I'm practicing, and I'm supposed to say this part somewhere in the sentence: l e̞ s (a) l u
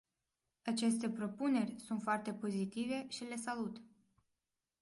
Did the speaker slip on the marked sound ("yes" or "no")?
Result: no